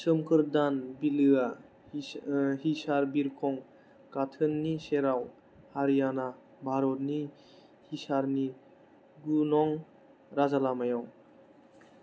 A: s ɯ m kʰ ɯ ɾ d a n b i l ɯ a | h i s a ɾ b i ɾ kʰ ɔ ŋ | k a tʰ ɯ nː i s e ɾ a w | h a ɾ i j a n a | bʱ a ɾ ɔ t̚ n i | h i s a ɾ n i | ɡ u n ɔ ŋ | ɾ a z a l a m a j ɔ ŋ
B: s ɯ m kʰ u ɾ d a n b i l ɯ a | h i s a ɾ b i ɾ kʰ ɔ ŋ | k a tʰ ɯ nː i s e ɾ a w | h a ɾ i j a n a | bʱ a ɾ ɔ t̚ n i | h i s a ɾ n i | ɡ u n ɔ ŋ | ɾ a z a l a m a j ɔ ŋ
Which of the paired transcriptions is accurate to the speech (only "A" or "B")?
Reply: A